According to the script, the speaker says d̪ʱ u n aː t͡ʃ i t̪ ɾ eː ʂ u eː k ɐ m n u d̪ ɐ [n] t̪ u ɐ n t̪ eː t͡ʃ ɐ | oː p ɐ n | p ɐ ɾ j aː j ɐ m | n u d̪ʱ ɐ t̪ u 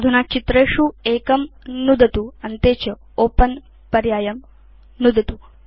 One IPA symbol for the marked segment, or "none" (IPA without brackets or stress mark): none